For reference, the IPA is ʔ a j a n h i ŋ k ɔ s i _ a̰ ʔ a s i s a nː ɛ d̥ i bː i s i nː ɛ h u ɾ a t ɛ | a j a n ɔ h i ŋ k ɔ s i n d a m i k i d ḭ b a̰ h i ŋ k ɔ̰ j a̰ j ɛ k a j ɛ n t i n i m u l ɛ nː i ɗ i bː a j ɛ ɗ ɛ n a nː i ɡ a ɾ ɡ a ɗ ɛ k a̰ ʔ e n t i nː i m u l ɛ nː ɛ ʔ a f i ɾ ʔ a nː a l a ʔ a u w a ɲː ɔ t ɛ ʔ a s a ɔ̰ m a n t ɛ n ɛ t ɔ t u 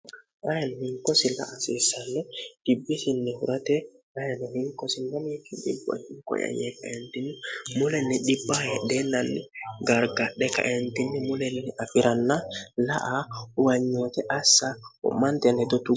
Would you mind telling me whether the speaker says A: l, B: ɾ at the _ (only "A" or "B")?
A